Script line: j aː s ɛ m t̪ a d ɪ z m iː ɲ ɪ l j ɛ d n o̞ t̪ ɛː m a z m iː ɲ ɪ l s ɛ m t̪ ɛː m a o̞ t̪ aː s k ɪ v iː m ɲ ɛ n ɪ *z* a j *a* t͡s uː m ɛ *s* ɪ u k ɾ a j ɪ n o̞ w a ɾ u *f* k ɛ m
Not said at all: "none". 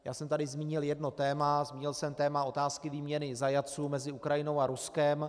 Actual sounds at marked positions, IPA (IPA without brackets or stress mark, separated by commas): z, a, z, s